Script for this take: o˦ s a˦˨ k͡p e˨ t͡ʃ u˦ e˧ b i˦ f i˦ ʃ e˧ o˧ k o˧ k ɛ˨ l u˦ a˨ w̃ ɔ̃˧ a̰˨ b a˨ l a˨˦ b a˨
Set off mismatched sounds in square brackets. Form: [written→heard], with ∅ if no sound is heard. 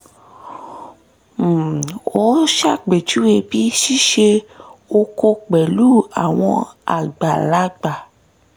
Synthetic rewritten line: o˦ [s→ʃ] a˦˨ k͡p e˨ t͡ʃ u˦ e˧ b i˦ [f→ʃ] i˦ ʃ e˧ o˧ k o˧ [k→k͡p] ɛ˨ l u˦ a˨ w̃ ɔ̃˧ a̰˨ [b→ɡ͡b] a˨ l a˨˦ [b→ɡ͡b] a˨